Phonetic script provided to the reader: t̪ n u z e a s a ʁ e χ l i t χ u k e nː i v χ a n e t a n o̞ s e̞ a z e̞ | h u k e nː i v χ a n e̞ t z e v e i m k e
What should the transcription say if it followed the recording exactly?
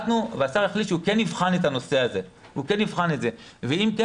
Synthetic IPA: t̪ n u v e a s a ʁ e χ l i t ʃ u k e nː i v χ a n e t a n o̞ s e̞ a z e̞ | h u k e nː i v χ a n e̞ t z e v e i m k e